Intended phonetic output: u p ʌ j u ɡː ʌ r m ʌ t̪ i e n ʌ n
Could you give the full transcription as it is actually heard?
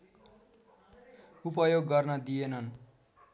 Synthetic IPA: u p ʌ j o ɡː ʌ r n ʌ d̪ i e n ʌ n